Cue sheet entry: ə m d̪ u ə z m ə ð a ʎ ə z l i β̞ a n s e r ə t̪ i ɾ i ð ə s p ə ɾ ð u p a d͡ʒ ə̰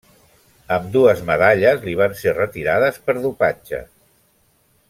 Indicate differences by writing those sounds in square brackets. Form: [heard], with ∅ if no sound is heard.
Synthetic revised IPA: ə m d̪ u ə z m ə ð a ʎ ə z l i β̞ a n s e r ə t̪ i ɾ [a] ð ə s p ə ɾ ð u p a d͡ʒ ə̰